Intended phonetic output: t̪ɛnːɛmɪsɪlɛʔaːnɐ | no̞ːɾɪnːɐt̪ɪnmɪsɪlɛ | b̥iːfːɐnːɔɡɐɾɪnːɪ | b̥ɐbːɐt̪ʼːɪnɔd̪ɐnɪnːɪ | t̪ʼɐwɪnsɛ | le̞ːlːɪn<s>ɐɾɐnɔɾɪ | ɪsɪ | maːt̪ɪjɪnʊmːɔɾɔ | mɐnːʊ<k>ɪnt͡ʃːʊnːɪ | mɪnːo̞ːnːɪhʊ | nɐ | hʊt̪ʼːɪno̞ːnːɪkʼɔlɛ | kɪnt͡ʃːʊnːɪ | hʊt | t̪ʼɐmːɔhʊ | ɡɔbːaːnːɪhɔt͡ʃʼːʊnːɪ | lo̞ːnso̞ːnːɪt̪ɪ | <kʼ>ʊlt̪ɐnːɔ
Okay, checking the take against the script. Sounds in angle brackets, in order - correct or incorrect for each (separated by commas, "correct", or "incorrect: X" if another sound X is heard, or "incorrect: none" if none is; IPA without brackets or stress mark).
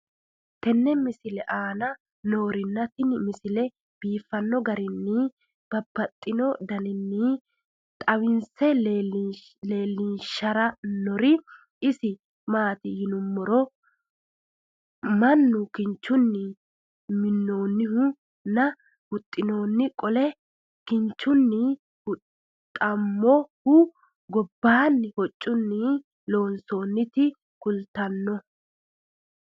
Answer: incorrect: ʃ, correct, incorrect: k